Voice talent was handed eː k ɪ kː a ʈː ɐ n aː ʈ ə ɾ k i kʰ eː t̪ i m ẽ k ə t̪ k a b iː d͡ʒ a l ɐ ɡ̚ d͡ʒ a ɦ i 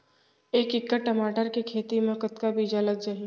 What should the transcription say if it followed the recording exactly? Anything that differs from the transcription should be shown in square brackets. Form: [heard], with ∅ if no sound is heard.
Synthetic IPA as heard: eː k ɪ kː [ə] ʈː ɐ [m] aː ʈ ə ɾ k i kʰ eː t̪ i m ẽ k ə t̪ k a b iː d͡ʒ a l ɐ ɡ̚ d͡ʒ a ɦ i